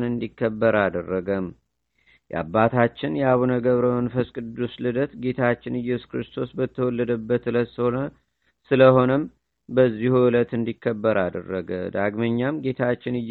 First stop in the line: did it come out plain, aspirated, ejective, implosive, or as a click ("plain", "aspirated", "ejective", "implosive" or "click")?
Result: plain